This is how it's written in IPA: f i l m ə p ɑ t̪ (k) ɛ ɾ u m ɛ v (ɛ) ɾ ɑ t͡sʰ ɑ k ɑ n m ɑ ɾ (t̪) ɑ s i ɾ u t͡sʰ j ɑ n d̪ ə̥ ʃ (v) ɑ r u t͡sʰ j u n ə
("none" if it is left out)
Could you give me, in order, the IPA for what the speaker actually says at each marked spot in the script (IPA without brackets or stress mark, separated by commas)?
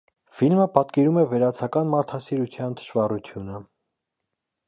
k, ɛ, t̪ʰ, v